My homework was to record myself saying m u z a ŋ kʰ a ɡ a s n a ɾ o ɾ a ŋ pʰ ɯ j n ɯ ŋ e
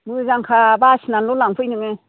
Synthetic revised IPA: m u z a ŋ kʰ a b a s n a l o l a ŋ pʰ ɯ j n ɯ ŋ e